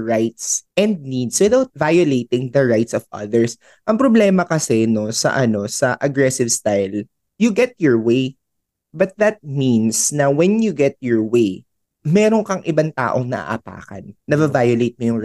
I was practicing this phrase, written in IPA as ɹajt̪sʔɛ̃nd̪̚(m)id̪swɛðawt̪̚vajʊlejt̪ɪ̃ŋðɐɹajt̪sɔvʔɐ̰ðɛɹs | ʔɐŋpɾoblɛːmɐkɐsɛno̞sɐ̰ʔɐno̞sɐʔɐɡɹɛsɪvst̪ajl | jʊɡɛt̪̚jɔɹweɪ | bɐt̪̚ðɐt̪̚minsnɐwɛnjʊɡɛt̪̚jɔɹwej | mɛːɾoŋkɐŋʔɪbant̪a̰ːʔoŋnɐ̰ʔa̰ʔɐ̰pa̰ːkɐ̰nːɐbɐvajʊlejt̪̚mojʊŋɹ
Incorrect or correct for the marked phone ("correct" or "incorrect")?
incorrect